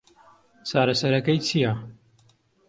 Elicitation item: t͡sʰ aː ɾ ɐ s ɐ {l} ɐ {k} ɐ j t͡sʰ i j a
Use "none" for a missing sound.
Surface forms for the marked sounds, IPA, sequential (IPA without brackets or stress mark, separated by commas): ɾ, k